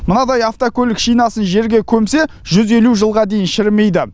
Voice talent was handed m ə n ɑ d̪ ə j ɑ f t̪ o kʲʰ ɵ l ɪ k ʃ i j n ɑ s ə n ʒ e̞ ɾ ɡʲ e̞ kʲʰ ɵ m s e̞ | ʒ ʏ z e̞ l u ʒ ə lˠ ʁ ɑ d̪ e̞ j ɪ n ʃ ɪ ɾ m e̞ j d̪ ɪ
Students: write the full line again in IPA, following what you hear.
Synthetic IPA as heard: m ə n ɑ d̪ ɑ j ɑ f t̪ o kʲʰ ɵ l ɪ k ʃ i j n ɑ s ə n ʒ e̞ ɾ ɡʲ e̞ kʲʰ ɵ m s e̞ | ʒ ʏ z e̞ l u ʒ ə lˠ ʁ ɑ d̪ e̞ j ɪ n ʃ ɪ ɾ m e̞ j d̪ ɪ